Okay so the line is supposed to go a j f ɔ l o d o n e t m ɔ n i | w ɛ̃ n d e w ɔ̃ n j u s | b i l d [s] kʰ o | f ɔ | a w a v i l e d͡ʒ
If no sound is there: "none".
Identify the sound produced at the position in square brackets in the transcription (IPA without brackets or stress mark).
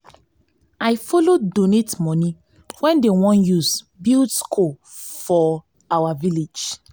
s